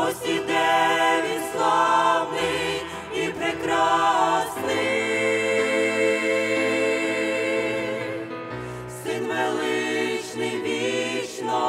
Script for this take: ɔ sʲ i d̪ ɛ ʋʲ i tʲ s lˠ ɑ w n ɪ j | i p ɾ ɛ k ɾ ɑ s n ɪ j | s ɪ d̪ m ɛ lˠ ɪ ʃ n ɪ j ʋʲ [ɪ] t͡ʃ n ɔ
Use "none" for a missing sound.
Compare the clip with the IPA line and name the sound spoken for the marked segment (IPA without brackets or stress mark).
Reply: i